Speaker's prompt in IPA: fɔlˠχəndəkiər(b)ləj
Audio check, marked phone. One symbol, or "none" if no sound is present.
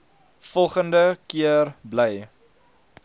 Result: b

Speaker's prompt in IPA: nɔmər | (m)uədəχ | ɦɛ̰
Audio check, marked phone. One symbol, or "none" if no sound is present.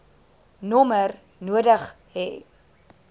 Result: n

